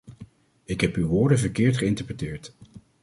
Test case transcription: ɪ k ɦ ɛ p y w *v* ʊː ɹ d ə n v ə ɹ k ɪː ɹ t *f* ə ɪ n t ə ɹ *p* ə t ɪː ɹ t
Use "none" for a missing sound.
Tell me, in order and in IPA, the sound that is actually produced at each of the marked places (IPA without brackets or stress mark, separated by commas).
ʋ, χ, p